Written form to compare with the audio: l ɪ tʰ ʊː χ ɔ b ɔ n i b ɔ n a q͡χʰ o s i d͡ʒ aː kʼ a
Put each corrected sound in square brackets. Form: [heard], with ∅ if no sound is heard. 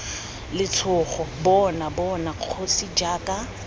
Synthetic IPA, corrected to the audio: l ɪ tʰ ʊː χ ɔ b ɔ n [a] b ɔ n a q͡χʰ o s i d͡ʒ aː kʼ a